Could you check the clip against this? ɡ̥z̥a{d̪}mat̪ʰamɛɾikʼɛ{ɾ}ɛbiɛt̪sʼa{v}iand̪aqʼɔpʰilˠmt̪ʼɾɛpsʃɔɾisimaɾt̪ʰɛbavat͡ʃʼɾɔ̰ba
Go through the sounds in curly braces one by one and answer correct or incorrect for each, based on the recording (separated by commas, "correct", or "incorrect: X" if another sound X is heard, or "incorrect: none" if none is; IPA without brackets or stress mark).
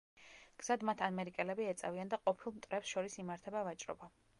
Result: correct, incorrect: l, correct